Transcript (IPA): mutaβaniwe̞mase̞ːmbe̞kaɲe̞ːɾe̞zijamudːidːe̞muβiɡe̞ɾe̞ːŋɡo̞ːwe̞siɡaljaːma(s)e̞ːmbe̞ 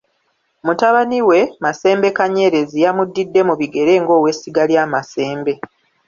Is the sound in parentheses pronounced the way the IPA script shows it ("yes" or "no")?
yes